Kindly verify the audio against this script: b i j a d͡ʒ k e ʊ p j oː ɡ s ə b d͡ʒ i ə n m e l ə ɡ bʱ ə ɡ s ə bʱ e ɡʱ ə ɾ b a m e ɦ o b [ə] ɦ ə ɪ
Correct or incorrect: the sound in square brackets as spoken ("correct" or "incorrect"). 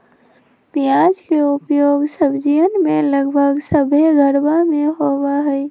incorrect